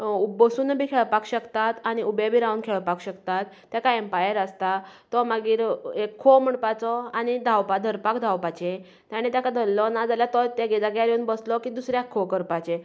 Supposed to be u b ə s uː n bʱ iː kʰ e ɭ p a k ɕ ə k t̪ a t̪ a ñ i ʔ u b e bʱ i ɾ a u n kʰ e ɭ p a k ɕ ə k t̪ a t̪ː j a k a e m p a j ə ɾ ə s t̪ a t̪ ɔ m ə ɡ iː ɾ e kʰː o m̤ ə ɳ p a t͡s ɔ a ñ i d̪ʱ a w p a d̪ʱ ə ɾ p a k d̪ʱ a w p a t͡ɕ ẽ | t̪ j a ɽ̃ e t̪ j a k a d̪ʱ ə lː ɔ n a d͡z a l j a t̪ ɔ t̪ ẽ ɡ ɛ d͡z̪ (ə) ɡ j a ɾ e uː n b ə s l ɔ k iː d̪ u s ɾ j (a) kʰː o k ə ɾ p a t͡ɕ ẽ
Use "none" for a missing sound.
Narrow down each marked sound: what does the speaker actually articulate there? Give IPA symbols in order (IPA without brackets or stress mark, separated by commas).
a, a